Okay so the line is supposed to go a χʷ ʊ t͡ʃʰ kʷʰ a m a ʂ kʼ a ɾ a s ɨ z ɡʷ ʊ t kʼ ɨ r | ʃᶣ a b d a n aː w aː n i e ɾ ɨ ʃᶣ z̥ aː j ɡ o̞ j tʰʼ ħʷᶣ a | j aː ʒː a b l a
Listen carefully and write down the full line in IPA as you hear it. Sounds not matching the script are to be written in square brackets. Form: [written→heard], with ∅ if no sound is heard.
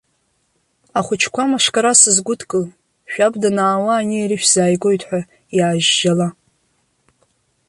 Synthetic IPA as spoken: a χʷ ʊ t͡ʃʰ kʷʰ a m a ʂ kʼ a ɾ a s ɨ z ɡʷ ʊ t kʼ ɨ [r→l] | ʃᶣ a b d a n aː w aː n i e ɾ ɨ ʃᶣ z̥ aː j ɡ o̞ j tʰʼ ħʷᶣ a | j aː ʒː a [b→∅] l a